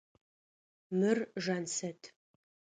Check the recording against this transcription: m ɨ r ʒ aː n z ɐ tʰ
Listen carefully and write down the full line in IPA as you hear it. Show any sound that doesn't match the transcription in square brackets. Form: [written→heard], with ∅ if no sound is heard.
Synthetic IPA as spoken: m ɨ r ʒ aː n [z→s] ɐ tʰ